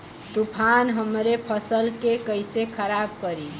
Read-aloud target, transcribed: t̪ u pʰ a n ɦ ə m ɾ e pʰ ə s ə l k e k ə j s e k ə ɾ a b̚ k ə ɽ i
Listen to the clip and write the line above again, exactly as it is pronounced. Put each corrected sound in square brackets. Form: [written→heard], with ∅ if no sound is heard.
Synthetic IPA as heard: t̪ u pʰ a n ɦ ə m ɾ e pʰ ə s ə l k e k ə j s e [k→kʰ] ə ɾ a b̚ k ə [ɽ→ɾ] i

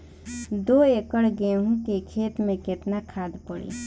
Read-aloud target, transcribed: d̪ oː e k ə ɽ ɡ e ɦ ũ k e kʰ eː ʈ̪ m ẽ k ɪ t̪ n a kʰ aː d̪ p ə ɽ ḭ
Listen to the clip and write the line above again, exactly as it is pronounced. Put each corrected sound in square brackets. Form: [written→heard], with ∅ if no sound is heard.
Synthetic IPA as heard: d̪ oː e k ə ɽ ɡ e ɦ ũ k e kʰ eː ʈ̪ m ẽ k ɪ t̪ n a kʰ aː d̪ p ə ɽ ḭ

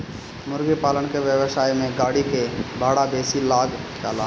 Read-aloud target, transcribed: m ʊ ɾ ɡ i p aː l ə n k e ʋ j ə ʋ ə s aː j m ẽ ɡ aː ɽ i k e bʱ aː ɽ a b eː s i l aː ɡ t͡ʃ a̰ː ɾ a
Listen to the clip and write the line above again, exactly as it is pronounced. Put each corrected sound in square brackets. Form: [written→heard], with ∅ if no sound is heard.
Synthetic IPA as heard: m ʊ ɾ ɡ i p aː l ə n k e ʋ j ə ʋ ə s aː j m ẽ ɡ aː ɽ i k e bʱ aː ɽ a b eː s i l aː ɡ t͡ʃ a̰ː [ɾ→l] a

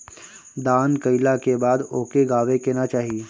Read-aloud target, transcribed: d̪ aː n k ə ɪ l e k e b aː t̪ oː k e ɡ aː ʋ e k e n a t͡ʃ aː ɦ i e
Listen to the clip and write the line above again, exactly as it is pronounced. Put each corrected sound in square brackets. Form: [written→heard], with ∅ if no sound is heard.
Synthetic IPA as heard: d̪ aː n k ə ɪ l [e→a] k e b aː [t̪→d̪] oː k e ɡ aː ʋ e k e n a t͡ʃ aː ɦ i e

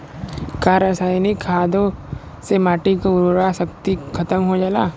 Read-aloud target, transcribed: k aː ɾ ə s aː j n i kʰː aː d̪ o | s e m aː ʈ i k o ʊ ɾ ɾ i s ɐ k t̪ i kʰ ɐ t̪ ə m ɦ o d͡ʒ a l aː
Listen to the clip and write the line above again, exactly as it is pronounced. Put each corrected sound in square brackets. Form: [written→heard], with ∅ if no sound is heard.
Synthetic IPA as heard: k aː ɾ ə s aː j n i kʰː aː d̪ o | s e m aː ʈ i k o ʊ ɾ ɾ [i→a] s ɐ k t̪ i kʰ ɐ t̪ ə m ɦ o d͡ʒ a l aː

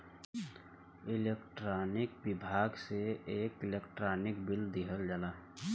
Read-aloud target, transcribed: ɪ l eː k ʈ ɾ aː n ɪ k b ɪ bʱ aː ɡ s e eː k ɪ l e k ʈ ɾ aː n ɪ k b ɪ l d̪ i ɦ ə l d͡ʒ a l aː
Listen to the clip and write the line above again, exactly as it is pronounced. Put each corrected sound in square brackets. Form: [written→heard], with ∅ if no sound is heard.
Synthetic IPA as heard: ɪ l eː k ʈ ɾ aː n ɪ k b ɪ bʱ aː ɡ s e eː k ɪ l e k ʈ ɾ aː n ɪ k b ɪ l d̪ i ɦ ə l d͡ʒ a l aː

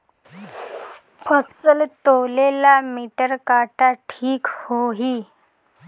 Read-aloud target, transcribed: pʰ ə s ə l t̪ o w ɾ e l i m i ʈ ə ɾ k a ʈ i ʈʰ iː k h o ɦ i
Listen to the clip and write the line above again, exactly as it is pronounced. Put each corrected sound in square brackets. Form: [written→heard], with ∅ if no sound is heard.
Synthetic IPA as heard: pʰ ə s ə l t̪ o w [ɾ→l] e l [i→a] m i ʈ ə ɾ k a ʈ [i→a] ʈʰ iː k h o ɦ i

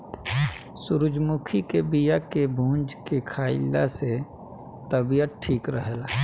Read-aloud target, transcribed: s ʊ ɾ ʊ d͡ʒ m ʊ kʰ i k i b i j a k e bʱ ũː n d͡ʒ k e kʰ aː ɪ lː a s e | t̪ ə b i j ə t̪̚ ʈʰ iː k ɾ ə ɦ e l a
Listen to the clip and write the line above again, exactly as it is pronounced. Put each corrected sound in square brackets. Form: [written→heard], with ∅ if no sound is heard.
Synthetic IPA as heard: s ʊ ɾ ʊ d͡ʒ m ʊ kʰ i k [i→e] b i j a k e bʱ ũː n d͡ʒ k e kʰ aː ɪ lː a s e | t̪ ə b i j ə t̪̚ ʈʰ iː k ɾ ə ɦ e l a

